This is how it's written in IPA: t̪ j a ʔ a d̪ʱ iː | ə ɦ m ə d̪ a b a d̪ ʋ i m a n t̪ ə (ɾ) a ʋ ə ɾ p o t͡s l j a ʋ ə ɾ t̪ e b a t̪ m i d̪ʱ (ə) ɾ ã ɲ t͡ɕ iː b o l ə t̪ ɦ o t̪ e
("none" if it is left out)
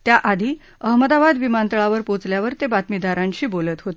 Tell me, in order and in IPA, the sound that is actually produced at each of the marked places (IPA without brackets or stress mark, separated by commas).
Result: ɭ, a